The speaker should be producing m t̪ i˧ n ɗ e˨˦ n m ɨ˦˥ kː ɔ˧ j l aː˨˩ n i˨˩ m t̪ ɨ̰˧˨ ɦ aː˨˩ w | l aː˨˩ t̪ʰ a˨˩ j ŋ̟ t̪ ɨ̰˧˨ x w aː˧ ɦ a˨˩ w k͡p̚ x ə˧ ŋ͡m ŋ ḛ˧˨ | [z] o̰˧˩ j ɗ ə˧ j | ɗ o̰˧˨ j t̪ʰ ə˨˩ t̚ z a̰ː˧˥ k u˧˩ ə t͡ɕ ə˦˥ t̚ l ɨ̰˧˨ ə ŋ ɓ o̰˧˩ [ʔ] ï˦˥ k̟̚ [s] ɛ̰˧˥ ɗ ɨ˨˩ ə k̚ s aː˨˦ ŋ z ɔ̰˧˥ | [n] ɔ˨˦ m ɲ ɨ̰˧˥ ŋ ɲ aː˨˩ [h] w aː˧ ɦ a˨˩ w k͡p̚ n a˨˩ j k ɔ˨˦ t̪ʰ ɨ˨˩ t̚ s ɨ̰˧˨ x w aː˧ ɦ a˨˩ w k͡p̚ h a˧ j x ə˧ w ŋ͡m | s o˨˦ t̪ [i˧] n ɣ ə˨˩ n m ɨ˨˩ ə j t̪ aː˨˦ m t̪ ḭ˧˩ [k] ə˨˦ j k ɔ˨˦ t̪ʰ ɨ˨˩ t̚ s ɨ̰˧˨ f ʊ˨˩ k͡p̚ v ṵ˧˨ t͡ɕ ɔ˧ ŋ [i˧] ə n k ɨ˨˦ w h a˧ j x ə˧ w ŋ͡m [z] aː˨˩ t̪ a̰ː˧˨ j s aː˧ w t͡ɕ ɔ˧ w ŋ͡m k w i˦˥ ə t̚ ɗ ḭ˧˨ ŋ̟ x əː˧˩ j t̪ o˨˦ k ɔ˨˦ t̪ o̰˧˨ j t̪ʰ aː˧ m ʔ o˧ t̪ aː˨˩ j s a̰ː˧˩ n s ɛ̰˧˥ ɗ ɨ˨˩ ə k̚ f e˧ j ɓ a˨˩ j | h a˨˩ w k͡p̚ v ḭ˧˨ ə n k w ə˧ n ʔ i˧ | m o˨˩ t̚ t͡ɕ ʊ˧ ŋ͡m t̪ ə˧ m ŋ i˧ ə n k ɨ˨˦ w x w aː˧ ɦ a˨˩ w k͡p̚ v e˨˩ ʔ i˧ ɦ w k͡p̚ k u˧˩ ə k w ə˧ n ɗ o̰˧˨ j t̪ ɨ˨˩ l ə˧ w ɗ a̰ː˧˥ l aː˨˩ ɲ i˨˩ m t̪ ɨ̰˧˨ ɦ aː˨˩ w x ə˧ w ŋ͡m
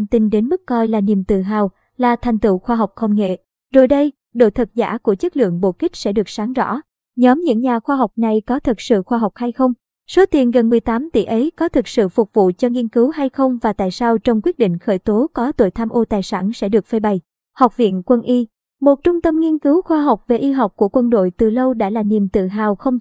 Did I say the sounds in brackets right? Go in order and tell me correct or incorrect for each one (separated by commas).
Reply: correct, incorrect, correct, incorrect, incorrect, incorrect, incorrect, correct, incorrect